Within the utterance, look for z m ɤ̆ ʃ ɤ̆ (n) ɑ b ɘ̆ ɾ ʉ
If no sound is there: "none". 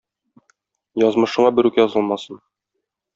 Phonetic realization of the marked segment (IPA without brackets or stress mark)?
ɴ